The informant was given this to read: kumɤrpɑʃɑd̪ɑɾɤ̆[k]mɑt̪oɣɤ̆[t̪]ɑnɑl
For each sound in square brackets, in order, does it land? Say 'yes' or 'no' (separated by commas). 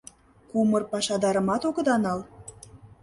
no, no